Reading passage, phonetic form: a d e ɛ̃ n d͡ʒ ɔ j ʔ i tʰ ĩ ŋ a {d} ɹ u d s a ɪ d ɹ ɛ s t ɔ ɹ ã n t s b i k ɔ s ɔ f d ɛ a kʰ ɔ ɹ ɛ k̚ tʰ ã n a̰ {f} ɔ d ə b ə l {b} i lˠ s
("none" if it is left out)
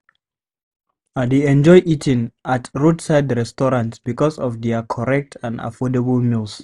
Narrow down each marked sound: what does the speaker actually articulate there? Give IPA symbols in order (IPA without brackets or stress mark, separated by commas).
t, f, m